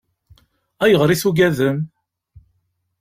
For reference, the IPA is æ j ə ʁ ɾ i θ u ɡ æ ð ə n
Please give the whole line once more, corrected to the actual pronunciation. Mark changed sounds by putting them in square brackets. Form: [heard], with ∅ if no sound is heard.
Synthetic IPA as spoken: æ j ə ʁ ɾ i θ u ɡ æ ð ə [m]

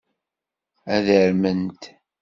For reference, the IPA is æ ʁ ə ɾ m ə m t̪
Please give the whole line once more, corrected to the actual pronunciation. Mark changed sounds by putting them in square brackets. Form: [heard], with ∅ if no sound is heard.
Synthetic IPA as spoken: æ [ð] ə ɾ m ə [n] t̪

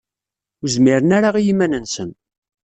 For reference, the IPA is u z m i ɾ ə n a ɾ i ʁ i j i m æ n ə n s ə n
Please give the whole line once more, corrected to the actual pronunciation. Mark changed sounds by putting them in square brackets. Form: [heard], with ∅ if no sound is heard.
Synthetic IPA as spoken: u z m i ɾ ə n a ɾ [a] ʁ i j i m æ n ə n s ə n

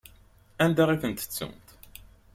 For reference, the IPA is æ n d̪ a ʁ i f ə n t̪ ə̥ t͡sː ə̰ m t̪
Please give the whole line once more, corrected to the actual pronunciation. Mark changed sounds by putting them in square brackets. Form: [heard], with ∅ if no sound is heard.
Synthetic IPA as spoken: æ n d̪ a ʁ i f ə n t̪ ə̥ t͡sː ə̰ m t̪

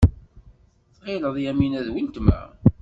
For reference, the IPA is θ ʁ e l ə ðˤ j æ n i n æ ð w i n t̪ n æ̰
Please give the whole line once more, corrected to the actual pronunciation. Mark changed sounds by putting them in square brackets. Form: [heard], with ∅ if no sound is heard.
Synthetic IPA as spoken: θ ʁ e l ə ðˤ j æ [m] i n æ ð w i n t̪ [m] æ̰

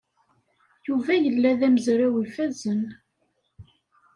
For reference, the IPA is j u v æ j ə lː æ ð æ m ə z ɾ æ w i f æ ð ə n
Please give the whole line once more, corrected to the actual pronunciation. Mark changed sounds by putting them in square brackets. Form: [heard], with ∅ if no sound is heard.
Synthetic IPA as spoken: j u v æ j ə lː æ ð æ m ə z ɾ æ w i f æ [z] ə n

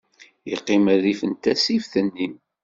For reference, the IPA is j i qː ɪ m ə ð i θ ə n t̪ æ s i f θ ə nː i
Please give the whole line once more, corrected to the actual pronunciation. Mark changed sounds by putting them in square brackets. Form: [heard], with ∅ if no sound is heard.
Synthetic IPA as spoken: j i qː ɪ m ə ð i [f] ə n t̪ æ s i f θ ə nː i

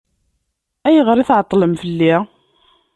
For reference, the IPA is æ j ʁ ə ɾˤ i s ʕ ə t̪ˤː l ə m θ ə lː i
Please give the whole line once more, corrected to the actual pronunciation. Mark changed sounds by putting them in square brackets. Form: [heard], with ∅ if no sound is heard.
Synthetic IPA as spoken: æ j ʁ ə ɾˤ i [θ] ʕ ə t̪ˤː l ə m [f] ə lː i

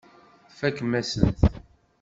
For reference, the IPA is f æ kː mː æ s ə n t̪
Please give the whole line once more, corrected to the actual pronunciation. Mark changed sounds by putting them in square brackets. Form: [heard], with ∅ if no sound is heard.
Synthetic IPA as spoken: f æ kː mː æ s ə n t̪

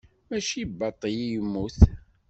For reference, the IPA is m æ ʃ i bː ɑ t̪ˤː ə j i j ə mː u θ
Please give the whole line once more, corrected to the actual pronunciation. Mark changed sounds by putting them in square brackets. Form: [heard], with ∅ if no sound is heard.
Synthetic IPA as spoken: m æ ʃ i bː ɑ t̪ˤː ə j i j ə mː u θ

